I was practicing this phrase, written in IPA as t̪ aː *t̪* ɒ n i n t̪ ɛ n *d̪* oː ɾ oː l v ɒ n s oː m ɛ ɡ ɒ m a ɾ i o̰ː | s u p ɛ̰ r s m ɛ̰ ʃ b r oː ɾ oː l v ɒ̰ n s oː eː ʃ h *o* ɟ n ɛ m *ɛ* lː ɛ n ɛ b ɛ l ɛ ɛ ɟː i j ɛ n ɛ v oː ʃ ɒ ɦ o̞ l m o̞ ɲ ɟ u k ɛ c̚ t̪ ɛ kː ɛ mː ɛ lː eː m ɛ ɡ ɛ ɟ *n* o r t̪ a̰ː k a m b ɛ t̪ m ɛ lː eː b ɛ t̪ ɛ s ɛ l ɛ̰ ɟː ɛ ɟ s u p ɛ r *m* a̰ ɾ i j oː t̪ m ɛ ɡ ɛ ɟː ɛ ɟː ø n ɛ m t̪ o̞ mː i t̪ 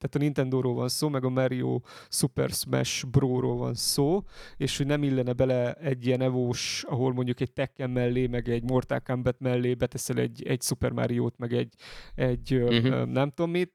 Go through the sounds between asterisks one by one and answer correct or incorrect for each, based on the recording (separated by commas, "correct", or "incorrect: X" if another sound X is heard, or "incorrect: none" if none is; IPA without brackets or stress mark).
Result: correct, correct, correct, incorrect: i, incorrect: m, correct